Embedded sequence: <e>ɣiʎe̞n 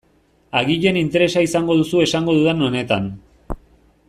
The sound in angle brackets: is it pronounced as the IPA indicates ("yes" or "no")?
no